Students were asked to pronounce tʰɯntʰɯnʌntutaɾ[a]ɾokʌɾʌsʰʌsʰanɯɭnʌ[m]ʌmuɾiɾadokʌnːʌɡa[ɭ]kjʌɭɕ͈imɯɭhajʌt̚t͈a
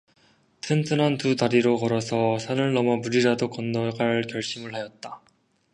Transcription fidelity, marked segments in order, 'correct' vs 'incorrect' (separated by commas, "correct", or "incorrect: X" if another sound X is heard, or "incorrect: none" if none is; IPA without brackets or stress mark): incorrect: i, correct, correct